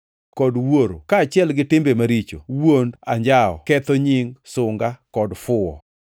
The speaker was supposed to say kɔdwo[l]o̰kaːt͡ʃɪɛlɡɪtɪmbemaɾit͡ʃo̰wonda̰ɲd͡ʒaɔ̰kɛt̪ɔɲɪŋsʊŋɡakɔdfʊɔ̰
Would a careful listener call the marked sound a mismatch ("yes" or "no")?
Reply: yes